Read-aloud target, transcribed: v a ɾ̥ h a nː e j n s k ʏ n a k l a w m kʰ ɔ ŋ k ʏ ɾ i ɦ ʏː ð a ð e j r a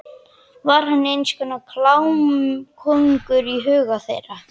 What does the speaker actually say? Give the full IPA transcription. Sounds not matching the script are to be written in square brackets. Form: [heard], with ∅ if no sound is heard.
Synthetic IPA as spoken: v a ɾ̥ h a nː e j n s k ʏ n a [kʰ] l a w m kʰ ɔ ŋ k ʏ ɾ i ɦ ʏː [ɣ] a [θ] e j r a